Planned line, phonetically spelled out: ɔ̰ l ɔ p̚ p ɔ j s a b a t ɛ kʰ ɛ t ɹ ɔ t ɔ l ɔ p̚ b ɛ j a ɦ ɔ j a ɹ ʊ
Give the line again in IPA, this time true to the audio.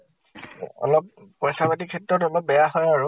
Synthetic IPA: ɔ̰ l ɔ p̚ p ɔ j s a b a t i kʰ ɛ t ɹ ɔ t ɔ l ɔ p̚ b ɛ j a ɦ ɔ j a ɹ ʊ